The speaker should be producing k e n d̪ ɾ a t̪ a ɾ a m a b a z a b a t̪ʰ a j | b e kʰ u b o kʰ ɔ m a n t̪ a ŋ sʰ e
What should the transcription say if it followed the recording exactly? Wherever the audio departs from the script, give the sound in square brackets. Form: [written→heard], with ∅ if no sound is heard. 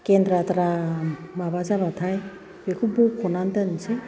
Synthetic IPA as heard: k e n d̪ ɾ a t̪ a ɾ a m a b a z a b a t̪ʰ a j | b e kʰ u b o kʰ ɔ [m→n] a n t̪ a [ŋ→n] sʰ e